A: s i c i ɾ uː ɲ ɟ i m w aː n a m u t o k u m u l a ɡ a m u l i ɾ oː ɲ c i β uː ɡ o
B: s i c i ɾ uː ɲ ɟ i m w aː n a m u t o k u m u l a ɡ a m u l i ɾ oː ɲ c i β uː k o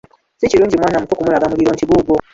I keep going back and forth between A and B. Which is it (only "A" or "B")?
A